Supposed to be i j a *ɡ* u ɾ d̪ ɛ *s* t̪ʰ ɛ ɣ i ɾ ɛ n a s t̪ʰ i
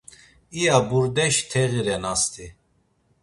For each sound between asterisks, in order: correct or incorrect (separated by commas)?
incorrect, incorrect